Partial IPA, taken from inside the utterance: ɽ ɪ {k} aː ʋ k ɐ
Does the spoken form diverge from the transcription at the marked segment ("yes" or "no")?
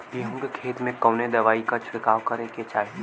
no